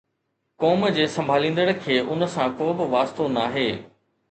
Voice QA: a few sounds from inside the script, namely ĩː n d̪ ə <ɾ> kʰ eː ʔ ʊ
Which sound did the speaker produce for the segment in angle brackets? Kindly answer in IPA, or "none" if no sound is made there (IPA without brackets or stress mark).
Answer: ɽ